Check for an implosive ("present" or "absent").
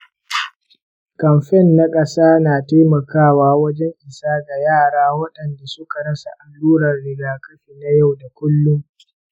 present